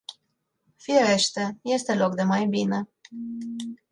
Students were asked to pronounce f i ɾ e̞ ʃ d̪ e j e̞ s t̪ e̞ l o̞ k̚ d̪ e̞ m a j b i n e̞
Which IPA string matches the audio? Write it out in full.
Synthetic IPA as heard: f i ɾ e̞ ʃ t̪ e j e̞ s t̪ e̞ l o̞ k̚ d̪ e̞ m a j b i n e̞